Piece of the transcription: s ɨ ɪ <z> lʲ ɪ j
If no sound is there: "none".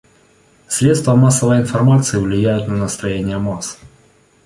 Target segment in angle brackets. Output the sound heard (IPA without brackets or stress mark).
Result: v